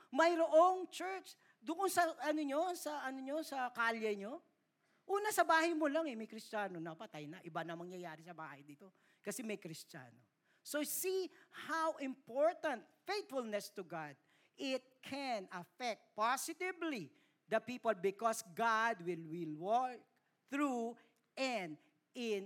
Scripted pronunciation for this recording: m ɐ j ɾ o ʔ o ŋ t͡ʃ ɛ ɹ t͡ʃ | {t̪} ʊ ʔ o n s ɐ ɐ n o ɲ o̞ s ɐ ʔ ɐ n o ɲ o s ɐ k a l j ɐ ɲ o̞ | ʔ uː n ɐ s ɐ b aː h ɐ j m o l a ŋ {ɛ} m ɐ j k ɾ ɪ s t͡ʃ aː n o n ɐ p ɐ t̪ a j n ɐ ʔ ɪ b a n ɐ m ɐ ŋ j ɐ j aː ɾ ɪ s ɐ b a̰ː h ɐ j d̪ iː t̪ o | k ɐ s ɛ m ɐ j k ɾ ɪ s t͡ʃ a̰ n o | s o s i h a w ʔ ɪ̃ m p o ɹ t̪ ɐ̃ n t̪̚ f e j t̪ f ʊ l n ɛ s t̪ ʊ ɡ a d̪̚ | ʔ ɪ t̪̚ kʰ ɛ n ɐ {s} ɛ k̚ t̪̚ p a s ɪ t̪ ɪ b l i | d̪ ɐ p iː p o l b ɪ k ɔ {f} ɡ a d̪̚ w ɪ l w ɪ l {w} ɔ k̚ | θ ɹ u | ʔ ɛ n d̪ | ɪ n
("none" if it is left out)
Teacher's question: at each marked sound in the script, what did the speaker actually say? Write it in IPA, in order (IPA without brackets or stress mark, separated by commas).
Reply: d̪, ɛ, f, s, w